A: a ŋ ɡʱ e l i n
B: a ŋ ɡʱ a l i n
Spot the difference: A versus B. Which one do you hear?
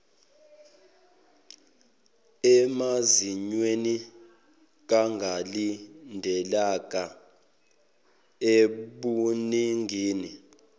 B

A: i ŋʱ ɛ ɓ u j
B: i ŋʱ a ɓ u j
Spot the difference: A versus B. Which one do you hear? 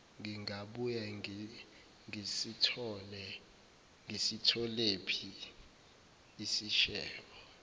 B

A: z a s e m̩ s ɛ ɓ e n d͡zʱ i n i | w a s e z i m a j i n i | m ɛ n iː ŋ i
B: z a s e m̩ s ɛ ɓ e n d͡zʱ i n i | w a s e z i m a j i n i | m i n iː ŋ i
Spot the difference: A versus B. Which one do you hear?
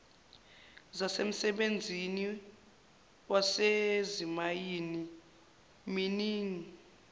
B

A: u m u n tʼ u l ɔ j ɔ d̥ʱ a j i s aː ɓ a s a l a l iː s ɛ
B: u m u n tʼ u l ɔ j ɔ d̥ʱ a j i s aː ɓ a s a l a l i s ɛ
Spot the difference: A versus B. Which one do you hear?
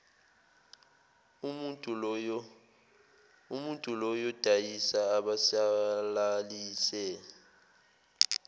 A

